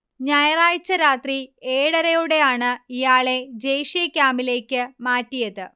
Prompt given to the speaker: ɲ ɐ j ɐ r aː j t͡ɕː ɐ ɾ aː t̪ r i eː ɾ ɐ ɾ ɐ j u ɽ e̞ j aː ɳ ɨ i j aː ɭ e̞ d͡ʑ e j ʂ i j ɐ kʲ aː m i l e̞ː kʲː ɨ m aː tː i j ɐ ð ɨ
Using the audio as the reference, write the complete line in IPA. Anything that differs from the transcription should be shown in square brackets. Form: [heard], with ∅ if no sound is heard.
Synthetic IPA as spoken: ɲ ɐ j ɐ r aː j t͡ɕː ɐ ɾ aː t̪ r i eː [ɽ] ɐ ɾ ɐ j u ɽ e̞ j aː ɳ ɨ i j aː ɭ e̞ d͡ʑ e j ʂ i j ɐ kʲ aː m i l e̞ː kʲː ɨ m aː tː i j ɐ ð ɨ